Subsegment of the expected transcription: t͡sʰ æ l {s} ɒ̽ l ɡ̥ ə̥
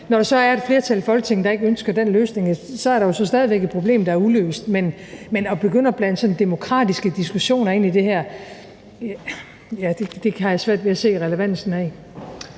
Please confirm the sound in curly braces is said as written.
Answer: no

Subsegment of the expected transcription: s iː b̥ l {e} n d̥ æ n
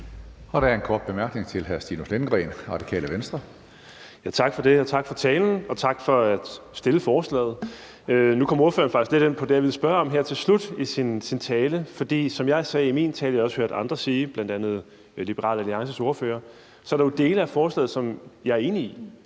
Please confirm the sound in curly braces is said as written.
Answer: no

